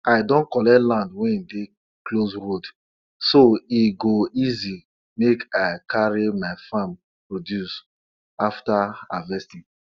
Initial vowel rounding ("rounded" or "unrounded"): unrounded